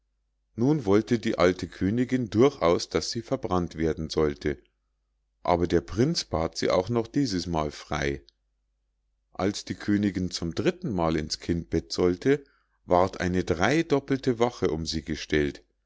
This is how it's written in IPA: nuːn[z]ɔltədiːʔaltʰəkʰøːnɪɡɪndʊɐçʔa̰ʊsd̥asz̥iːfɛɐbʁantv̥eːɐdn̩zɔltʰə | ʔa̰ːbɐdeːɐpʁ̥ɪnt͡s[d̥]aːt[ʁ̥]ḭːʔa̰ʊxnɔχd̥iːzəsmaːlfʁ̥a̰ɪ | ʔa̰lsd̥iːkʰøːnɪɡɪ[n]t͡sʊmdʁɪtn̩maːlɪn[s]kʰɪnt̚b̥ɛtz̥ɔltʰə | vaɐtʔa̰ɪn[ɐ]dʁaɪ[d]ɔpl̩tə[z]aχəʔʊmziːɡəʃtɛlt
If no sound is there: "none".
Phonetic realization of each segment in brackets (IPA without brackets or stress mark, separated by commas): v, b̥, z̥, n, s, ə, d, v